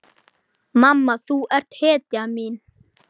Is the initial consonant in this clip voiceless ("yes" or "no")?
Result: no